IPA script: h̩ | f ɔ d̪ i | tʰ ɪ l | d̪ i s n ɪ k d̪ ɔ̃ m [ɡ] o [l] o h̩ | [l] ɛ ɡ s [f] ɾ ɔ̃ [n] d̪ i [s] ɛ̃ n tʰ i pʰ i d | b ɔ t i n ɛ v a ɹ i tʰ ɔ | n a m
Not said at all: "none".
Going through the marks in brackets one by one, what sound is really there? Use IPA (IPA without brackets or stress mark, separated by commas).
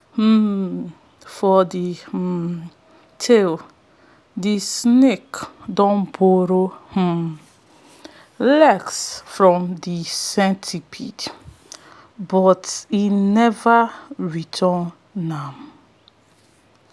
b, ɾ, l, f, m, s